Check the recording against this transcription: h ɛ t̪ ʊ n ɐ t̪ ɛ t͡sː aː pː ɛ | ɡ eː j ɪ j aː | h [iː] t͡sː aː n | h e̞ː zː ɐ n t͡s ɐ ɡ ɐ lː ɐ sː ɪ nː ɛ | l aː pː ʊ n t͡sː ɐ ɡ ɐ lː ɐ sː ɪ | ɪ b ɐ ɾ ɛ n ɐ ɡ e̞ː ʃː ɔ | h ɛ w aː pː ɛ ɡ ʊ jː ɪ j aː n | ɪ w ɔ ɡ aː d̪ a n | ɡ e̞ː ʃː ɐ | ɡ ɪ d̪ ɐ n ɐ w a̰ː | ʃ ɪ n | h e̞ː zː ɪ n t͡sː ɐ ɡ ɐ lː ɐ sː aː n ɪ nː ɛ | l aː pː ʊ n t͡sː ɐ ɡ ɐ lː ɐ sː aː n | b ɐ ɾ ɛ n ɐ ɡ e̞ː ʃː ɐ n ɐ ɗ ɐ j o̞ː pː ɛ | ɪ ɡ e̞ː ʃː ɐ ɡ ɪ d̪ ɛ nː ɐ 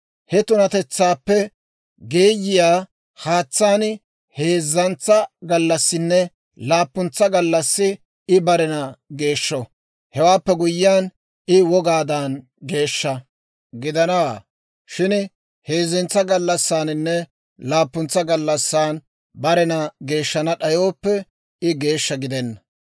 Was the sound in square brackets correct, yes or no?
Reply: no